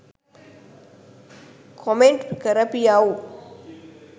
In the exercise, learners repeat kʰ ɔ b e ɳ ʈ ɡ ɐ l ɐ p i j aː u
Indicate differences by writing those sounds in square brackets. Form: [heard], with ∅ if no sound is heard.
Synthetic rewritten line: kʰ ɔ [m] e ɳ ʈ [k] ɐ [ɾ] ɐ p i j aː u